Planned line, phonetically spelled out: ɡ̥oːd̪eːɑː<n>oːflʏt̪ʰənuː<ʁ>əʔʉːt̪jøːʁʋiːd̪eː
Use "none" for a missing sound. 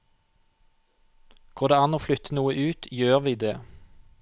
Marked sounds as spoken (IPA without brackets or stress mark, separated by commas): n, none